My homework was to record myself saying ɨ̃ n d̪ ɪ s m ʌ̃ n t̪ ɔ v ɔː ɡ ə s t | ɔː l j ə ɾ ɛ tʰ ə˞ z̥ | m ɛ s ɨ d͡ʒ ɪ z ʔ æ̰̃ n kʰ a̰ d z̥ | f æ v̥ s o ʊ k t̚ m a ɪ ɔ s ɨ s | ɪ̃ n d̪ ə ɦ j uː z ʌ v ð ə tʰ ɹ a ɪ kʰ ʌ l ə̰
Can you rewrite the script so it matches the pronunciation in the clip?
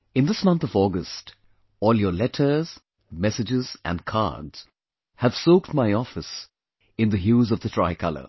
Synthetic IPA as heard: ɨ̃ n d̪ ɪ s m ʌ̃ n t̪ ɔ v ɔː ɡ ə s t | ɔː l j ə l ɛ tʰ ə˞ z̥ | m ɛ s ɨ d͡ʒ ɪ z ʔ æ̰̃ n kʰ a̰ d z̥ | h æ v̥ s o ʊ k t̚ m a ɪ ɔ f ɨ s | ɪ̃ n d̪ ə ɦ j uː z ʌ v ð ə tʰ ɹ a ɪ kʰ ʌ l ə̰